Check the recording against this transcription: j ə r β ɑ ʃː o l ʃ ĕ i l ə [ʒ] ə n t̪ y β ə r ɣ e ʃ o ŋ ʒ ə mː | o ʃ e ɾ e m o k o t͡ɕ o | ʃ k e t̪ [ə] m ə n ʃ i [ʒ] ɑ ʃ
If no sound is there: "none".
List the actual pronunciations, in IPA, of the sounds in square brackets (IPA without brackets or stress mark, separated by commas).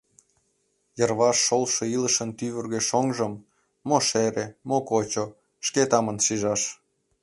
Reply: ʃ, ɑ, ʒ